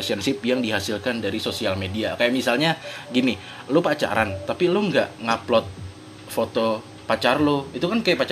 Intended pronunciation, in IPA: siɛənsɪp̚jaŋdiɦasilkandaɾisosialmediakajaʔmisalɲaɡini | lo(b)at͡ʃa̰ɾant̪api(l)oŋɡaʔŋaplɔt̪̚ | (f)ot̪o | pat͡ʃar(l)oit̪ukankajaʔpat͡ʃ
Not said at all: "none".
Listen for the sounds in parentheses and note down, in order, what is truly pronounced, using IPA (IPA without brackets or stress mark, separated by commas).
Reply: p, l, f, l